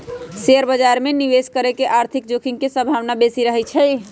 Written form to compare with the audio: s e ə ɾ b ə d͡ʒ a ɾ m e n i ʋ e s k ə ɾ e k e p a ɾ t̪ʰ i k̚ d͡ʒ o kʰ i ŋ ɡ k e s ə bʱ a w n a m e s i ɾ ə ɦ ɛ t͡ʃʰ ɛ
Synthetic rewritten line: s e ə ɾ b ə d͡ʒ a ɾ m e n i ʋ e s k ə ɾ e k e ʔ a ɾ t̪ʰ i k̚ d͡ʒ o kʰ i ŋ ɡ k e s ə bʱ a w n a b e s i ɾ ə ɦ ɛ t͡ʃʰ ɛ